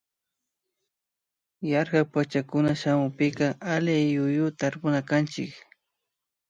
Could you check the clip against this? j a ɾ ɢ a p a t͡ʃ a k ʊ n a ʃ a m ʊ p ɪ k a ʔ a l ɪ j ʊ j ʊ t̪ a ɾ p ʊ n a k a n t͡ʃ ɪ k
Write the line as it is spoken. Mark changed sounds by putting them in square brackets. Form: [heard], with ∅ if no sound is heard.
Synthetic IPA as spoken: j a ɾ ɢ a p a t͡ʃ a k ʊ n a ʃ a m ʊ p ɪ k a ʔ a l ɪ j ʊ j ʊ t̪ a ɾ p ʊ n a k a n t͡ʃ ɪ k